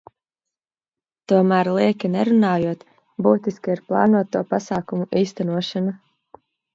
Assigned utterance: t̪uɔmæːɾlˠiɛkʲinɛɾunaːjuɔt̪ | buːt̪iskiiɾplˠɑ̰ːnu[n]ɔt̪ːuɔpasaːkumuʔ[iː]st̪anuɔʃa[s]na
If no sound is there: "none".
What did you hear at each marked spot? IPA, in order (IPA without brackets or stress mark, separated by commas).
none, iː, none